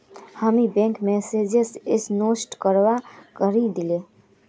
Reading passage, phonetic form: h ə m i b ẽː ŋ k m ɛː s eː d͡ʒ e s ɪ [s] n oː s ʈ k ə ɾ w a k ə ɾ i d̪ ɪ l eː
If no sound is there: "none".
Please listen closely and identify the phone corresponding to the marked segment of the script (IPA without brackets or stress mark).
s